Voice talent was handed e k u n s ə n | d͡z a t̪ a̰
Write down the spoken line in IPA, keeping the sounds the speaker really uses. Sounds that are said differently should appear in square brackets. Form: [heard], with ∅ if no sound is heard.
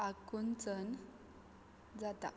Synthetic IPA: [a] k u n [t͡s] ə n | d͡z a t̪ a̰